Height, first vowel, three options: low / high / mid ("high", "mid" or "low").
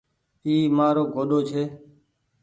high